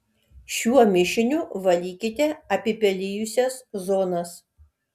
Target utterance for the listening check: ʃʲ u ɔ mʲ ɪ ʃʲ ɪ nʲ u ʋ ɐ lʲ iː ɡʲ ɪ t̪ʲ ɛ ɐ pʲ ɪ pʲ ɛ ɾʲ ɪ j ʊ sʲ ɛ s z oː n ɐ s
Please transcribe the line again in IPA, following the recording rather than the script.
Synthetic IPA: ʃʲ u ɔ mʲ ɪ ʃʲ ɪ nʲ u ʋ ɐ lʲ iː kʲ ɪ t̪ʲ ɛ ɐ pʲ ɪ pʲ ɛ lʲ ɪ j ʊ sʲ ɛ s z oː n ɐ s